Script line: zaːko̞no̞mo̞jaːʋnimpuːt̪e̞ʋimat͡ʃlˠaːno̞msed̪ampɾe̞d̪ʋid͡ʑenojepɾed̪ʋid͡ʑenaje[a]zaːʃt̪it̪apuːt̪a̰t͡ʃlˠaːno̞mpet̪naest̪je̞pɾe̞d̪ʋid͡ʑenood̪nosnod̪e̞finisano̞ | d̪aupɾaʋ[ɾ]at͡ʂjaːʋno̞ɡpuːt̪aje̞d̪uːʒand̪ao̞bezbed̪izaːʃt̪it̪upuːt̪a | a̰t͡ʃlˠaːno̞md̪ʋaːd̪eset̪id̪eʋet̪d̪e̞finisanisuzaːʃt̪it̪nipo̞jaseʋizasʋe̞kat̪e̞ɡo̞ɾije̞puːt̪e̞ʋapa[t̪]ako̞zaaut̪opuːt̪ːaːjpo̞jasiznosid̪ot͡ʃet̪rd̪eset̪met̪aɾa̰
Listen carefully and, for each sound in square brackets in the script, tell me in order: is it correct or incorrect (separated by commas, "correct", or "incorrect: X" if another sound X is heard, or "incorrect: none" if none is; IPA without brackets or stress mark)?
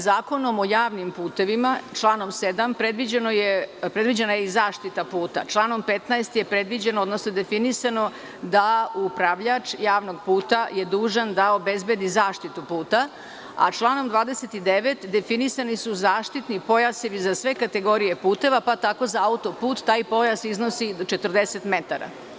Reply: incorrect: i, incorrect: ʎ, correct